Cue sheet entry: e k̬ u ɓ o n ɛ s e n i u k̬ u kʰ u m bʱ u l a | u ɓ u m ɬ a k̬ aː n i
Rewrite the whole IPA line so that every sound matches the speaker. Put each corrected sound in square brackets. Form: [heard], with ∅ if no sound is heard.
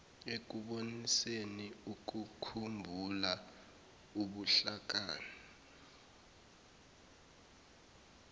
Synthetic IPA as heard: e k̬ u ɓ o n [i] s e n i u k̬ u kʰ u m bʱ u l a | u ɓ u [∅] ɬ a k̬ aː n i